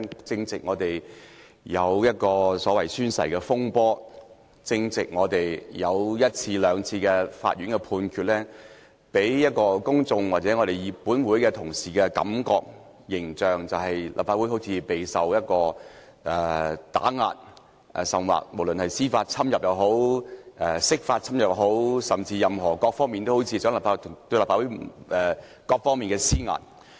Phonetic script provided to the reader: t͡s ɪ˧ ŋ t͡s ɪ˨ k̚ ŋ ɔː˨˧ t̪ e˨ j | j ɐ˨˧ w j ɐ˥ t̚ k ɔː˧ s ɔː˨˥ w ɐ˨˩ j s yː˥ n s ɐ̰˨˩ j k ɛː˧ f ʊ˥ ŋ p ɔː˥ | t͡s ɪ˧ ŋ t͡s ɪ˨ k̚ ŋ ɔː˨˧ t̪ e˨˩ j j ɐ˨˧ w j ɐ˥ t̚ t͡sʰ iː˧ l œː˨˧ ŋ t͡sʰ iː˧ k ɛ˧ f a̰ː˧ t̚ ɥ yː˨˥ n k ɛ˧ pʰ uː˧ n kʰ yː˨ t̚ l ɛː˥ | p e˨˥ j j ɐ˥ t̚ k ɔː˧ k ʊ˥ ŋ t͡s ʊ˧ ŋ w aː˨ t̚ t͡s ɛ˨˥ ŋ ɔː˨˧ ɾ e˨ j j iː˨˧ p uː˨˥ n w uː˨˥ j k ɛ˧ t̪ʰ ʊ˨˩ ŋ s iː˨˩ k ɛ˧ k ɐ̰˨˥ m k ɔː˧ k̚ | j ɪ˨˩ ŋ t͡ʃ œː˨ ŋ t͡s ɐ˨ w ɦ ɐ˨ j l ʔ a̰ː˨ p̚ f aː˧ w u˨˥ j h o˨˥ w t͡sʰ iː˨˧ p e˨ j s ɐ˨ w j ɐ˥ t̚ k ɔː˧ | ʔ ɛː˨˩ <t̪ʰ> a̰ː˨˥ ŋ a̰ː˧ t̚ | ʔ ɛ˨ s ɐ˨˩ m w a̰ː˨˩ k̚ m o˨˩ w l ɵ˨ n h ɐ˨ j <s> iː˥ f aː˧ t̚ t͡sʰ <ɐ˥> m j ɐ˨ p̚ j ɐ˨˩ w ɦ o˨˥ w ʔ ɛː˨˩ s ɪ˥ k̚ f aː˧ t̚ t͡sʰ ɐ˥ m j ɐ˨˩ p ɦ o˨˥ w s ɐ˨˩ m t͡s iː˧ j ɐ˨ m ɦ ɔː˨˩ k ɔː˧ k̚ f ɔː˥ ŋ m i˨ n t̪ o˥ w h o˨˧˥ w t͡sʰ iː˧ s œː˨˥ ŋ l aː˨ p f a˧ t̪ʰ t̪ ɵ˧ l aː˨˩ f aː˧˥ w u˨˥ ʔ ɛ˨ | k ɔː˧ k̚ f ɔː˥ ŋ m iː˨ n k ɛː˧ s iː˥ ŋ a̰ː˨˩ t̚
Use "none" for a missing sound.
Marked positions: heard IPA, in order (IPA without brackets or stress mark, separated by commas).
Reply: t̪, s, ɐ˥